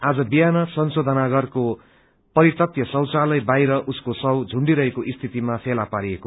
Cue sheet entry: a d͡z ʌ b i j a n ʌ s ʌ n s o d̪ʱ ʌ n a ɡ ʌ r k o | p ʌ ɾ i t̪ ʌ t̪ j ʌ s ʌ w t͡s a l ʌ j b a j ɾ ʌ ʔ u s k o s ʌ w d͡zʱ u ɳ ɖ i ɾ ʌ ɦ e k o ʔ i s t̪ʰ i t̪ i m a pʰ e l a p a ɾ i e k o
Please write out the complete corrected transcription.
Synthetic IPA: a d͡z ʌ b i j a n ʌ s ʌ n s o d̪ʱ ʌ n a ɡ ʌ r k o | p ʌ ɾ i t̪ ʌ t̪ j ʌ s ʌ w t͡s a l ʌ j b a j ɾ ʌ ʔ u s k o s ʌ w d͡zʱ u ɳ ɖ i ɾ ʌ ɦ e k o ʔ i s t̪ʰ i t̪ i m a pʰ e l a p a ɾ i e k o